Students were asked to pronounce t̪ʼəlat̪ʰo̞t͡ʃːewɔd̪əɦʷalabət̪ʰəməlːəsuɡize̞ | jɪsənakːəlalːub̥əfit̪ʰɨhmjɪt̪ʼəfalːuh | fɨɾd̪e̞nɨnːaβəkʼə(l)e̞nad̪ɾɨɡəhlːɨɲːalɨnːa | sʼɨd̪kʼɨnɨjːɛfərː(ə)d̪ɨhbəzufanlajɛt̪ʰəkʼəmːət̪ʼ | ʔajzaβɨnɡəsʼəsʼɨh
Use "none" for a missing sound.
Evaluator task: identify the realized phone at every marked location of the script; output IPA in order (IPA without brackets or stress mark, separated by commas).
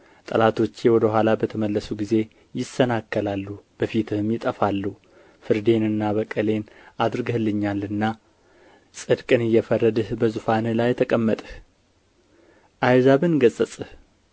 l, ə